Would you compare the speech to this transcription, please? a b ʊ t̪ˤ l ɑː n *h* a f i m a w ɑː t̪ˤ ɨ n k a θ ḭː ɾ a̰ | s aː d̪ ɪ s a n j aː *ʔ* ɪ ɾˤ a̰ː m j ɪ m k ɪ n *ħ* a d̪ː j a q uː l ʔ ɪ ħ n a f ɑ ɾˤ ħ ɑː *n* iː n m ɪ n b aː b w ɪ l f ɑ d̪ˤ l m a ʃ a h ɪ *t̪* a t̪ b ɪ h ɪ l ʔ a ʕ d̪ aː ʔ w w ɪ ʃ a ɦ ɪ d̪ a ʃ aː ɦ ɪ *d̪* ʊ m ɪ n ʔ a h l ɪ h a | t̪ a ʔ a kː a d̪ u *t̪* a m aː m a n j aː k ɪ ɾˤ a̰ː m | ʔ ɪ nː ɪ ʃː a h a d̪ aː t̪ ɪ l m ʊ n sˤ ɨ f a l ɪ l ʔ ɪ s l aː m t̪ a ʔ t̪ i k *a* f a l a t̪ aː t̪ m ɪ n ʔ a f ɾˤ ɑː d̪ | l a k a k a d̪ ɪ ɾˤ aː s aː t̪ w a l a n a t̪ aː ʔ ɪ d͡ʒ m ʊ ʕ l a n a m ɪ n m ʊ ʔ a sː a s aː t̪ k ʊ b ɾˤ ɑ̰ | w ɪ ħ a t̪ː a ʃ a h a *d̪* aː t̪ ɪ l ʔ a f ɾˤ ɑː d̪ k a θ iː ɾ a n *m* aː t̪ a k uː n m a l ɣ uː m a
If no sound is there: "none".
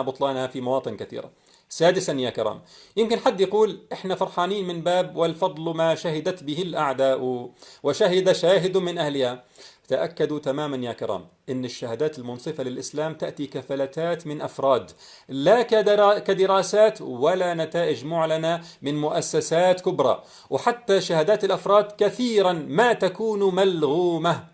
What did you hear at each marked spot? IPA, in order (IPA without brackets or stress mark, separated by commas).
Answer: h, k, ħ, n, d̪, d̪, t̪, a, d̪, m